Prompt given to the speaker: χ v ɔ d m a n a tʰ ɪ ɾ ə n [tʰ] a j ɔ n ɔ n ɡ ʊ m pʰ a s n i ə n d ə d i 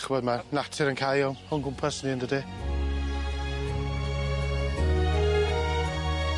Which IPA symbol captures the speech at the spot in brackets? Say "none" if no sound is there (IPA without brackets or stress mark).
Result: kʰ